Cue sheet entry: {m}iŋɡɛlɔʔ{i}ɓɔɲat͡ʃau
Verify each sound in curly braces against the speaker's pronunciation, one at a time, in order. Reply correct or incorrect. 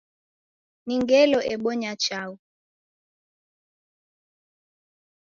incorrect, incorrect

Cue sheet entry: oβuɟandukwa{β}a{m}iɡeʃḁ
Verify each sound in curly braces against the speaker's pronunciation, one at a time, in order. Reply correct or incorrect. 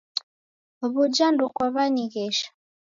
correct, incorrect

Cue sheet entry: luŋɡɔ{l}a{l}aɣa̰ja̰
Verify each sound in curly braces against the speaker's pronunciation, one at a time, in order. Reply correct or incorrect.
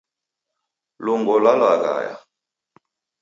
correct, correct

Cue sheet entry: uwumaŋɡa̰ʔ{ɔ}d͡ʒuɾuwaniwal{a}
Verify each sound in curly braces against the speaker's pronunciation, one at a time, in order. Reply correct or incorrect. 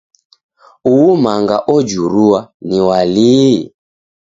correct, incorrect

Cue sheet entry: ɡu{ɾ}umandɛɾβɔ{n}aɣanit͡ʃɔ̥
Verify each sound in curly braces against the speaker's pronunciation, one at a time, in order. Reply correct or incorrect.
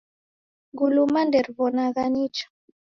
incorrect, correct

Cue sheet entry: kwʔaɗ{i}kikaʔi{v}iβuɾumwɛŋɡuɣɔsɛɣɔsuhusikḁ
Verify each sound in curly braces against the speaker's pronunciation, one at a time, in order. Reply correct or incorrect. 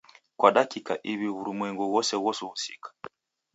incorrect, incorrect

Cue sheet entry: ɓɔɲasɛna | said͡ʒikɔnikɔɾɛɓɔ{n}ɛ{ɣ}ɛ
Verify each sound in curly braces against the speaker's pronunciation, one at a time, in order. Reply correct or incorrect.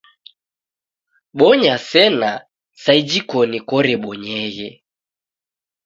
incorrect, correct

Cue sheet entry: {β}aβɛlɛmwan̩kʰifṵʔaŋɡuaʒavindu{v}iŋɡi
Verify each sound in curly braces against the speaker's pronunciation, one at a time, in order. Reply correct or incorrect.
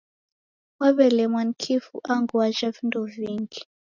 incorrect, correct

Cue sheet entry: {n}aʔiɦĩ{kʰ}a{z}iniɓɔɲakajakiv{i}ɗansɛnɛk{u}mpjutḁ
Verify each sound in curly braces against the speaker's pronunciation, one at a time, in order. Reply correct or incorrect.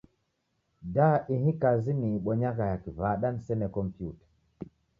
incorrect, incorrect, correct, incorrect, incorrect

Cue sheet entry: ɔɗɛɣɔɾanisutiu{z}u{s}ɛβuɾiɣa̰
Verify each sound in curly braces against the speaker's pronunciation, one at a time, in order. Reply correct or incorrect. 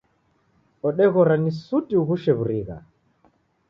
incorrect, incorrect

